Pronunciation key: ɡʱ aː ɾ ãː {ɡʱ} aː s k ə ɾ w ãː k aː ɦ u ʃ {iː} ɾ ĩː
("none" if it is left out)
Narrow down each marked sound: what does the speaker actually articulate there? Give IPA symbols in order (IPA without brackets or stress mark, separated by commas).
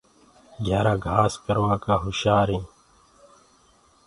ɡʱ, aː